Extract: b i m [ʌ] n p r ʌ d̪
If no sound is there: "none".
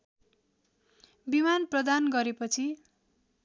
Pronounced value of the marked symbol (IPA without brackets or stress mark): a